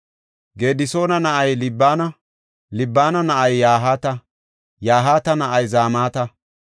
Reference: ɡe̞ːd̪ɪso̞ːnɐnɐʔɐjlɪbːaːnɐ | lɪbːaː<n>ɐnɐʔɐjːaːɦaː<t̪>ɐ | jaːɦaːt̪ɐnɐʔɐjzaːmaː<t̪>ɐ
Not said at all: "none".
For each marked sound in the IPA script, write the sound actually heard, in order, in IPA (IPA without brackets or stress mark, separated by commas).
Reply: n, t̪, t̪